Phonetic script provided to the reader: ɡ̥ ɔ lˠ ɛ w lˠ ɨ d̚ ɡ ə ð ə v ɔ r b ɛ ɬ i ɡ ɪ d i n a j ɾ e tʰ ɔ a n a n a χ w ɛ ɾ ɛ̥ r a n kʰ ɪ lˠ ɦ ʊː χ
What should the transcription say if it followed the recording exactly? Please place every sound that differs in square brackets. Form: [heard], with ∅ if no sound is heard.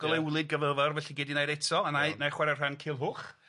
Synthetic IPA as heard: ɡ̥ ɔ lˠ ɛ w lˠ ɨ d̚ ɡ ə [v] ə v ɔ r [v] ɛ ɬ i ɡ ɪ d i n a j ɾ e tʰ ɔ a n a n a χ w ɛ ɾ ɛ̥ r a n kʰ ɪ lˠ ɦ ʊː χ